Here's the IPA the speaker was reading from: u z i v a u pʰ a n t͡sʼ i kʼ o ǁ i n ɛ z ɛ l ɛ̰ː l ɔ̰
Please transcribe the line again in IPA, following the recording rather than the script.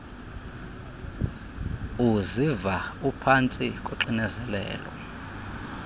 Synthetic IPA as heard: u z i v a u pʰ a n t͡sʼ i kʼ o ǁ i n ɛ z ɛ l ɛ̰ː l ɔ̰